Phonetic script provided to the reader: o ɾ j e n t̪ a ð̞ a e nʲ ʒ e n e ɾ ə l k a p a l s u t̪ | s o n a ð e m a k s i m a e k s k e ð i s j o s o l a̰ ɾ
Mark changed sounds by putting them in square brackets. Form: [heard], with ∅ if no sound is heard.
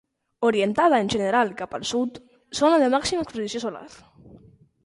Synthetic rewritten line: o ɾ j e n t̪ a ð̞ a e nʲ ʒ e n e ɾ [a] l k a p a l s u t̪ | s o n a ð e m a k s i m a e k s [p] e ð i s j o s o l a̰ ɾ